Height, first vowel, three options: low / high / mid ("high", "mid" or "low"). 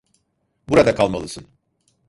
high